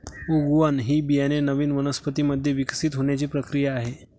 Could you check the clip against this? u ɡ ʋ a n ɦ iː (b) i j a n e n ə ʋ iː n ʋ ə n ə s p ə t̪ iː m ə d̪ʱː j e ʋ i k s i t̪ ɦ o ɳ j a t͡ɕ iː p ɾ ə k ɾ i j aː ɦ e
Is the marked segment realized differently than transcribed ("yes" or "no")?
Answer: no